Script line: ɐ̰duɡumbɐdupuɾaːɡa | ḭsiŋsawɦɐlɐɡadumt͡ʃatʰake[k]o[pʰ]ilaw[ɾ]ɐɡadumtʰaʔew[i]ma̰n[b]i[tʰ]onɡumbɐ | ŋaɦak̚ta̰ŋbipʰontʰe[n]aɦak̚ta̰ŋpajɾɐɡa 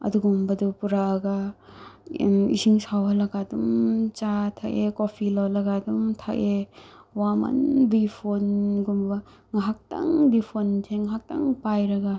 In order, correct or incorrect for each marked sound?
correct, correct, incorrect: l, incorrect: a, correct, incorrect: pʰ, incorrect: ŋ

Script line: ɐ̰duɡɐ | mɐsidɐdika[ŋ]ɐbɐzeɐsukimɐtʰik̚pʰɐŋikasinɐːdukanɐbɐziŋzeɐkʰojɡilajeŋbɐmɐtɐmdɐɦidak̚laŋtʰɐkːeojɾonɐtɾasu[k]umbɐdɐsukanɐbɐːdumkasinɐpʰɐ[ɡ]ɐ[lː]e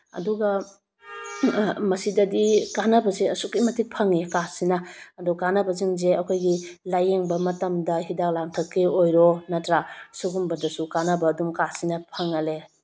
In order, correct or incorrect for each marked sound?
incorrect: n, incorrect: ɡ, incorrect: ŋ, incorrect: l

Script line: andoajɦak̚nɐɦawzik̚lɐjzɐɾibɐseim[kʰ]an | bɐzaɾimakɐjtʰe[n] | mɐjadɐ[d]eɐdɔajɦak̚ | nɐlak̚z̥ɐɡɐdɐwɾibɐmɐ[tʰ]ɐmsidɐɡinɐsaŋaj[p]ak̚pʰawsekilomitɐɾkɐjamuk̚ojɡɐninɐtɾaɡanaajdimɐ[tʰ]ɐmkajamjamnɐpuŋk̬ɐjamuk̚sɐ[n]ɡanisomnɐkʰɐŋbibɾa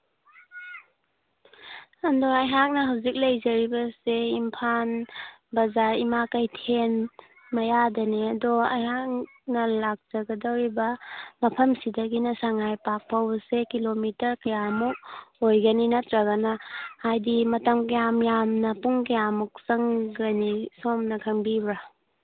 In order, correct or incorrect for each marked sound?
incorrect: pʰ, correct, incorrect: n, incorrect: pʰ, correct, incorrect: t, incorrect: ŋ

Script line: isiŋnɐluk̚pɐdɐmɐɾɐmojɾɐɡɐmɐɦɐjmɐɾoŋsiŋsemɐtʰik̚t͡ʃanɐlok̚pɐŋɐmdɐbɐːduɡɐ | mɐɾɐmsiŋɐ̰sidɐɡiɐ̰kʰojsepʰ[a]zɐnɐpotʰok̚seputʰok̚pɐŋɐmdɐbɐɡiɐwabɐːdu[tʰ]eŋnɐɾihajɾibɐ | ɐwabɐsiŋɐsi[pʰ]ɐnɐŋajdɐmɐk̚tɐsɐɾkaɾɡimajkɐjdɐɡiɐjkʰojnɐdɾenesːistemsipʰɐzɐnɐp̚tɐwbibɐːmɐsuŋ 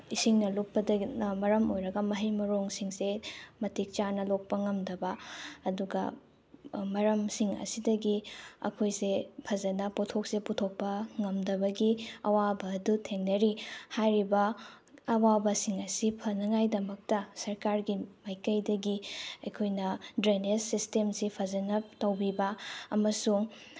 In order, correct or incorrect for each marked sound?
incorrect: ɐ, correct, correct

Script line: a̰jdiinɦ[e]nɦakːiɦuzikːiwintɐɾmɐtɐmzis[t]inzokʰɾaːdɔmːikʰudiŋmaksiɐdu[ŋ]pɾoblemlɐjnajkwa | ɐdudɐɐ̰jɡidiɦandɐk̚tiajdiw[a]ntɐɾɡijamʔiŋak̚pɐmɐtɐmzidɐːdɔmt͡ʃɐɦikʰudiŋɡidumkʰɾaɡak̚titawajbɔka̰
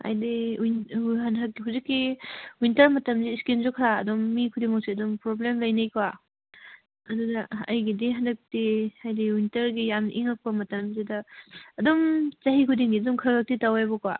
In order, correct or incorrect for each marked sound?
incorrect: a, incorrect: k, incorrect: m, incorrect: i

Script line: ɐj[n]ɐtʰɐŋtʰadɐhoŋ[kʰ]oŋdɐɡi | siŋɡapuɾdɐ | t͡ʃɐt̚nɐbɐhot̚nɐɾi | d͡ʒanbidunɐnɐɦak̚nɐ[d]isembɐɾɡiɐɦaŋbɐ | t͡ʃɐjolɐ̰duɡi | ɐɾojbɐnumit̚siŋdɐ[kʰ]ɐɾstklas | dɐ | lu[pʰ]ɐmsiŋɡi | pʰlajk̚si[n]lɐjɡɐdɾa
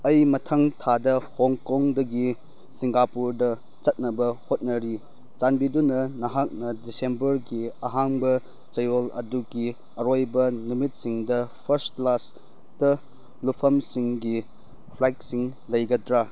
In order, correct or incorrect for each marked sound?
incorrect: m, incorrect: k, correct, incorrect: pʰ, correct, incorrect: ŋ

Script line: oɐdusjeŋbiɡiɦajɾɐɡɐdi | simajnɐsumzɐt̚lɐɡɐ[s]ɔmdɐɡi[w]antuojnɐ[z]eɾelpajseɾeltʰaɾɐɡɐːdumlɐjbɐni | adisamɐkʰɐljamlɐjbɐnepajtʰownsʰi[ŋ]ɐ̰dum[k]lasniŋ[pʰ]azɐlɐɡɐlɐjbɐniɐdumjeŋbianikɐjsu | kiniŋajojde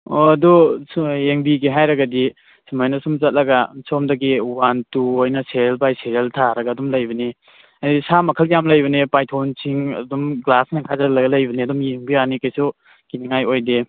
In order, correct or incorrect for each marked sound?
correct, correct, incorrect: s, correct, incorrect: ɡ, incorrect: kʰ

